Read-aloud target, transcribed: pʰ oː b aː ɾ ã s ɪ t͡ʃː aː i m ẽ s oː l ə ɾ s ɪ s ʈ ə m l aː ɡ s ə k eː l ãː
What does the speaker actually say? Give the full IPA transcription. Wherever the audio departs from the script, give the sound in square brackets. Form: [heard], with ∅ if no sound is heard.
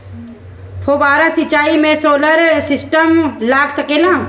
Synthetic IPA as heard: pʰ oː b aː ɾ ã s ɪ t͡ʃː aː i m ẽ s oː l ə ɾ s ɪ s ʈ ə m l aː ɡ s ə k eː l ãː